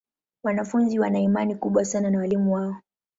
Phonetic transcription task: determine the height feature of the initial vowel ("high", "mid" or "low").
low